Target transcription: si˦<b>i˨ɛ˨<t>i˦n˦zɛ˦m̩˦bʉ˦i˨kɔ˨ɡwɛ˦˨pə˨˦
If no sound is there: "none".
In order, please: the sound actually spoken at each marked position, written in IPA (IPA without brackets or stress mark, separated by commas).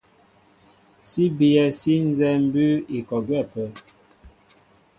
b, s